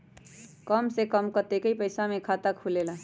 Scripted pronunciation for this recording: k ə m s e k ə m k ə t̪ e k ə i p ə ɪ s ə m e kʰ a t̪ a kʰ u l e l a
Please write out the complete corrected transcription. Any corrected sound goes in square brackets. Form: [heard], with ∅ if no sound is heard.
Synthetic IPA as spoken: k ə m s e k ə m k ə t̪ e k ə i p ə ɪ s [a] m e kʰ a t̪ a kʰ u l e l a